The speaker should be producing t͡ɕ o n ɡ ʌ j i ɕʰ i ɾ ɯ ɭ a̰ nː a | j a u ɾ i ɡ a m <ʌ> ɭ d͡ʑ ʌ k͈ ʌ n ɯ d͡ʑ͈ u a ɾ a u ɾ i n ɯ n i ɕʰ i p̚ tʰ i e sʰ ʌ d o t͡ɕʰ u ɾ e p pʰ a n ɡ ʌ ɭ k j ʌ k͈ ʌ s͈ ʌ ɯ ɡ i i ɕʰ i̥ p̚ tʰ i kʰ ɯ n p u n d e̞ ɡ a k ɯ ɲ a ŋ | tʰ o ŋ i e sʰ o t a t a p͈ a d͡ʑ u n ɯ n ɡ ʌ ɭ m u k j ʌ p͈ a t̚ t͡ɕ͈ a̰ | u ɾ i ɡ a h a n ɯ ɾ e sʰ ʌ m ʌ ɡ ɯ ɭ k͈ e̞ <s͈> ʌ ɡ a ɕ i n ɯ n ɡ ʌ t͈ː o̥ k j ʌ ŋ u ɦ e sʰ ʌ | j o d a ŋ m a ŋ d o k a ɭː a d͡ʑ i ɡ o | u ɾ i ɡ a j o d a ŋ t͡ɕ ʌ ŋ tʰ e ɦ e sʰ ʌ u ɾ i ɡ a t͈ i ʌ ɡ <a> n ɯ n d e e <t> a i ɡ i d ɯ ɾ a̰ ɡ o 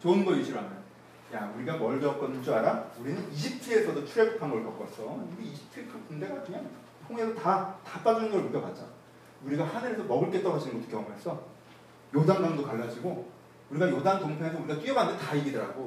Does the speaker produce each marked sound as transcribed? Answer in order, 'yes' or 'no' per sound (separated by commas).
yes, no, yes, yes